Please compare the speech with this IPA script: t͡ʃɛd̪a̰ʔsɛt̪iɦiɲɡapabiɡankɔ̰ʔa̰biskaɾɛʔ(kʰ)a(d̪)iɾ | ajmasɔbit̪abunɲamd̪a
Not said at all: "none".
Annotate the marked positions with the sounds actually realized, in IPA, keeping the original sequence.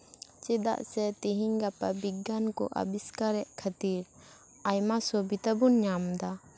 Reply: kʰ, t̪

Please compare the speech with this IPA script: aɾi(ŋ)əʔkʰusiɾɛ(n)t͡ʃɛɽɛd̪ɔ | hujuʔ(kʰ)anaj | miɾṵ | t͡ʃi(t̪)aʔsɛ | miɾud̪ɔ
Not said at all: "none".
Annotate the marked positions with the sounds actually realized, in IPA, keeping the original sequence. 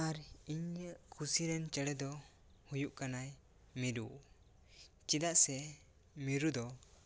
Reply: ɲ, n, k, d̪

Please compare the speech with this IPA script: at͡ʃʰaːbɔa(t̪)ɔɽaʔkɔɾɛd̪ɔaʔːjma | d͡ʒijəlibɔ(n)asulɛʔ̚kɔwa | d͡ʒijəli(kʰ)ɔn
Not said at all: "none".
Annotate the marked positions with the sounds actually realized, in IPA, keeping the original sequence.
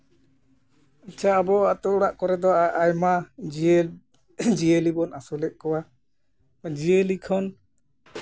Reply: t̪, n, kʰ

